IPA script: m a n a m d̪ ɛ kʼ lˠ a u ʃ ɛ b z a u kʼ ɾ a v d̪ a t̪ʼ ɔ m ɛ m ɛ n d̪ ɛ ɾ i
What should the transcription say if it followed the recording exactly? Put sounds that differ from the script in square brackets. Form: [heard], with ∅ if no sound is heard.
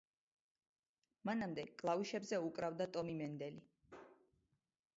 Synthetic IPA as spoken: m a n a m d̪ ɛ kʼ lˠ a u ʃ ɛ b z [ɛ] u kʼ ɾ a v d̪ a t̪ʼ ɔ m [i] m ɛ n d̪ ɛ [l] i